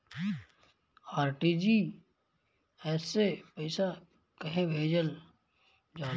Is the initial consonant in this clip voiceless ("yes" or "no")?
no